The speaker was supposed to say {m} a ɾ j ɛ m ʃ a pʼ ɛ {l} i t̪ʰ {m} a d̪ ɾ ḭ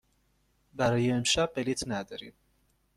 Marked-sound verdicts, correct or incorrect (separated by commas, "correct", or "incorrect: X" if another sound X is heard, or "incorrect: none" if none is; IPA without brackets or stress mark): incorrect: b, correct, incorrect: n